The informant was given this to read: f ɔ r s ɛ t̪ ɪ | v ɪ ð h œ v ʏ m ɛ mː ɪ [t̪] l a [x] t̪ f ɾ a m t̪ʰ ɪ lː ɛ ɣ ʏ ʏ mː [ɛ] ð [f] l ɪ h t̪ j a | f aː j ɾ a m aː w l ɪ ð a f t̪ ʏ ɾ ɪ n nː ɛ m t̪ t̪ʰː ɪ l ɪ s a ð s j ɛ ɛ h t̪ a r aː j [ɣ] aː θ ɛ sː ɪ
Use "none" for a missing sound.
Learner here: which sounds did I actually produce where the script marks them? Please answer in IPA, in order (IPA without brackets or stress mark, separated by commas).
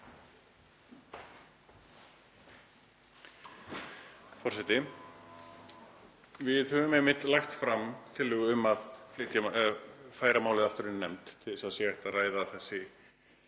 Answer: t̪, x, a, f, ð